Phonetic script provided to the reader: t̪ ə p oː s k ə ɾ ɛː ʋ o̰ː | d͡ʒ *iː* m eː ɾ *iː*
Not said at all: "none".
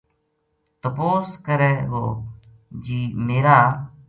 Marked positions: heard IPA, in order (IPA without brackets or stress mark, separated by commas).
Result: iː, aː